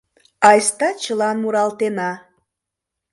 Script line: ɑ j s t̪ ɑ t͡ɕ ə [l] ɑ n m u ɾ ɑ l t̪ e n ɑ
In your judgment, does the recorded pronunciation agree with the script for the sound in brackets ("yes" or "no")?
yes